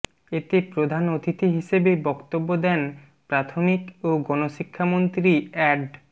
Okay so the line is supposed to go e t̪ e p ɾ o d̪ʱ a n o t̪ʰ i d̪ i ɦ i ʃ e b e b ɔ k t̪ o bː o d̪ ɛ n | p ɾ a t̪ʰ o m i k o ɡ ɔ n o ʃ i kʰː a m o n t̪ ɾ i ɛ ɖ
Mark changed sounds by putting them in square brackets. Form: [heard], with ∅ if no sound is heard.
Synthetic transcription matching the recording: e t̪ e p ɾ o d̪ʱ a n o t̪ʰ i [t̪] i ɦ i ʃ e b e b ɔ k t̪ o bː o d̪ ɛ n | p ɾ a t̪ʰ o m i k o ɡ ɔ n o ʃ i kʰː a m o n t̪ ɾ i ɛ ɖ